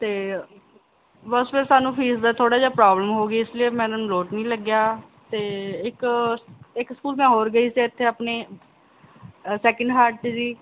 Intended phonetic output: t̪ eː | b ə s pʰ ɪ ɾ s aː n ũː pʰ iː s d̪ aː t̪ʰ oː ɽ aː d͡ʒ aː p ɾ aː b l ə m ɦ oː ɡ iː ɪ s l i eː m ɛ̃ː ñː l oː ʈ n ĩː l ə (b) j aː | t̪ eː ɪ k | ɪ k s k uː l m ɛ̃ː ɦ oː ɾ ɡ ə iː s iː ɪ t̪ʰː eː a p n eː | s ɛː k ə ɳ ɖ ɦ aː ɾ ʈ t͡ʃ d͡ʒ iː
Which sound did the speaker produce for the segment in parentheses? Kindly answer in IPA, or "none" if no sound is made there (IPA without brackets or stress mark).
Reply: ɡ